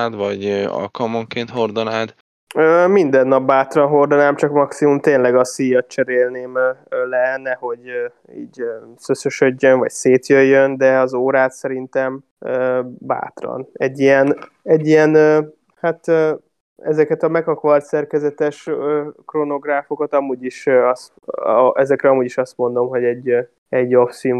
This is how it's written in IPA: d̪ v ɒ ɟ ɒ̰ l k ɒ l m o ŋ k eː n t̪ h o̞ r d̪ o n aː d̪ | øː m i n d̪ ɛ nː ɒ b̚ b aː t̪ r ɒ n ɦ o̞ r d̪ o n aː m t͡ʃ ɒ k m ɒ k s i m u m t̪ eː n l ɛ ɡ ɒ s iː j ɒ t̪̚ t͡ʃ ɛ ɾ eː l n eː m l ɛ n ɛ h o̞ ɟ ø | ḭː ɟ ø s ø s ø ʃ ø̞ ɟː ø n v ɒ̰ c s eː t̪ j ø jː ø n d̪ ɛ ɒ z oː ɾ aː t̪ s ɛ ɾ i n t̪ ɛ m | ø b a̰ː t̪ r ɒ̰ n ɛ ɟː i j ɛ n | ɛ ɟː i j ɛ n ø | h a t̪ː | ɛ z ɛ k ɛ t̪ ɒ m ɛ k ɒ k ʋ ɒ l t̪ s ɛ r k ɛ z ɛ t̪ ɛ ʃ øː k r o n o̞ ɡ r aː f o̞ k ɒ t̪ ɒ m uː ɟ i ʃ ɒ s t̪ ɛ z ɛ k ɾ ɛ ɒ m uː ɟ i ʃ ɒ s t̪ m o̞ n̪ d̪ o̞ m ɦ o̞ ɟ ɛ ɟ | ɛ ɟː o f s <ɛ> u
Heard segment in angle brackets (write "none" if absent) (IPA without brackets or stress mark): i